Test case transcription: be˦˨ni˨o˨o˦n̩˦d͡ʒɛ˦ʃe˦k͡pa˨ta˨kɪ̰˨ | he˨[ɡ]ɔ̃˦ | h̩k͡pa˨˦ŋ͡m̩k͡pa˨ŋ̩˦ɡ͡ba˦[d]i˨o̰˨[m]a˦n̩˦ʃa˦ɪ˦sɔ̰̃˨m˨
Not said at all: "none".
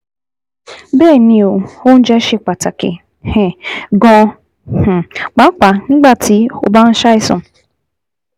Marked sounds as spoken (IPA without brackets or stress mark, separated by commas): ɡ, t, b